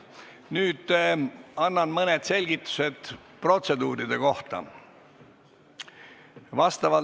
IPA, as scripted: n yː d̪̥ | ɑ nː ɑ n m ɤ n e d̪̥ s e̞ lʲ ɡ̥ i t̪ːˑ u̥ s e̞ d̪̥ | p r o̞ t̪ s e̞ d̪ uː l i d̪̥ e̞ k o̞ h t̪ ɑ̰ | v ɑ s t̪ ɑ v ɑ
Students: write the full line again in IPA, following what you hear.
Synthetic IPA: n yː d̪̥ | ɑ nː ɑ n m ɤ n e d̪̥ s e̞ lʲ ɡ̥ i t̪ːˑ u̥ s e̞ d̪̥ | p r o̞ t̪ s e̞ d̪ uː ɾ i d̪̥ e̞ k o̞ h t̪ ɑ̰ | v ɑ s t̪ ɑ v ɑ